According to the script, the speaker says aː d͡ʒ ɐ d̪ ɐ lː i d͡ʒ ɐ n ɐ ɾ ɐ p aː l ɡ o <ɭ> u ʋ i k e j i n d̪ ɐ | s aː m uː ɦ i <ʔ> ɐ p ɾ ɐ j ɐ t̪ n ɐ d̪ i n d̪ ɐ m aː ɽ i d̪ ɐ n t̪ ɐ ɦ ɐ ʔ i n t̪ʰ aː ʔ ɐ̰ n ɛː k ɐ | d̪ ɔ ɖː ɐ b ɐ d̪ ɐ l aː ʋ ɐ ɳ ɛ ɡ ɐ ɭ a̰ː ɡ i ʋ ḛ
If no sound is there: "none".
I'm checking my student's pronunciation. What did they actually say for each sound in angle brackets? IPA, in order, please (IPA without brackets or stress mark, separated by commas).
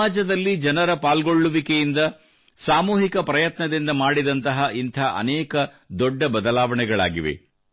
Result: ɭː, k